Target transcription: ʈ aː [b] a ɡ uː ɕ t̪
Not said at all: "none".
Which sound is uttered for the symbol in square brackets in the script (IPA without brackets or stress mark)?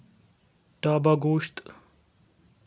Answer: b